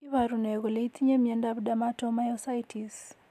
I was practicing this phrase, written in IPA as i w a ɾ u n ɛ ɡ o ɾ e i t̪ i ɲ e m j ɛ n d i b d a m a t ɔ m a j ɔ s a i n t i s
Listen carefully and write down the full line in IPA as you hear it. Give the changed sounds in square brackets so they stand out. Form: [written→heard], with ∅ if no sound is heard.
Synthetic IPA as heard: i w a ɾ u n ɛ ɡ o [ɾ→l] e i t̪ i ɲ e m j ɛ n d [i→a] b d a m a t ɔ m a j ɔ s a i [n→∅] t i s